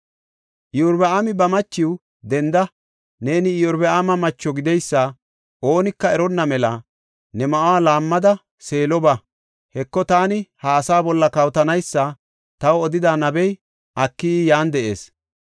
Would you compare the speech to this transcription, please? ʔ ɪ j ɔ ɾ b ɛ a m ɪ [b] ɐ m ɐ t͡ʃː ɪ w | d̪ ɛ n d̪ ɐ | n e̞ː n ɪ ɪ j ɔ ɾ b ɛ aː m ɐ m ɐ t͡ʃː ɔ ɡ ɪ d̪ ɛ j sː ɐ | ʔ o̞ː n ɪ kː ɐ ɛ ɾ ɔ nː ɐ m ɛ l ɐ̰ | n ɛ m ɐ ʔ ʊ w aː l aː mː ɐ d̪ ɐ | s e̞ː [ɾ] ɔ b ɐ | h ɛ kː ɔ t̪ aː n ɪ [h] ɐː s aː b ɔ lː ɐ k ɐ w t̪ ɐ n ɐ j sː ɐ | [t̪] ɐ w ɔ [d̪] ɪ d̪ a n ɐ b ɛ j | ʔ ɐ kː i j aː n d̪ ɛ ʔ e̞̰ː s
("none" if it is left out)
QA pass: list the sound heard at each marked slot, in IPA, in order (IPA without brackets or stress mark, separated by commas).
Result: b, l, h, t̪, d̪